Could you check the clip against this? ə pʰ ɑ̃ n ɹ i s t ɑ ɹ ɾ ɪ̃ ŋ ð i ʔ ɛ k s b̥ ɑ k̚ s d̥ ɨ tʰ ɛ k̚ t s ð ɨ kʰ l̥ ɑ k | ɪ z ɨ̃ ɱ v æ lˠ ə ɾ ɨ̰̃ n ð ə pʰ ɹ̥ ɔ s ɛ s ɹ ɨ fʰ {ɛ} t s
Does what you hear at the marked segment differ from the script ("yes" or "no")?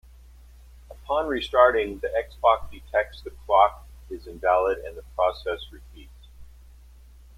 yes